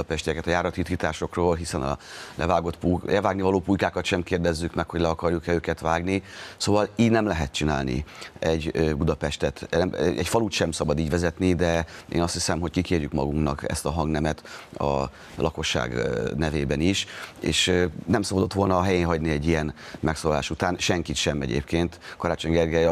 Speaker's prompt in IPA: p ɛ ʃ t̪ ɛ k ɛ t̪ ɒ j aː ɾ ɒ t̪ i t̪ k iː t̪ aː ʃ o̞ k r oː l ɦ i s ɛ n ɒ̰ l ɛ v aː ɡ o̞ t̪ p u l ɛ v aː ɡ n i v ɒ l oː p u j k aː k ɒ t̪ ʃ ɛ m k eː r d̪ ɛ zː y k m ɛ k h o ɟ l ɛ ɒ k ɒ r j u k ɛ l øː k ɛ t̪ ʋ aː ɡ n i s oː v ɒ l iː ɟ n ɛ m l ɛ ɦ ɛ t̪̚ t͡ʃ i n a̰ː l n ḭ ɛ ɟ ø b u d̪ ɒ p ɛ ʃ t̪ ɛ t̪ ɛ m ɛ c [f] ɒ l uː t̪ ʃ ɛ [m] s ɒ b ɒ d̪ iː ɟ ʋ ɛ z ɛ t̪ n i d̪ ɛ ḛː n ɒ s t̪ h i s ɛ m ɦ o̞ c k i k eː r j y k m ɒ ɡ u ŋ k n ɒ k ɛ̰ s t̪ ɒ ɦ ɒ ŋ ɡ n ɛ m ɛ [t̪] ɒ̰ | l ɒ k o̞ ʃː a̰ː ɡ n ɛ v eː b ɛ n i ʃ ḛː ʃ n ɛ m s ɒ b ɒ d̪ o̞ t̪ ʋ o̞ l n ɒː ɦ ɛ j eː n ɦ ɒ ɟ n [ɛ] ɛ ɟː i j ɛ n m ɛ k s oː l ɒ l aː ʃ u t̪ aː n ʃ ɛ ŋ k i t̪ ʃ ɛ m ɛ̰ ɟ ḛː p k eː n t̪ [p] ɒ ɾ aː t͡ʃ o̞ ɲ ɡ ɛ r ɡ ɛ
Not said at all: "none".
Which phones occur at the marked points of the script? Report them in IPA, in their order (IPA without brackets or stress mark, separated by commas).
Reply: f, m, t̪, i, k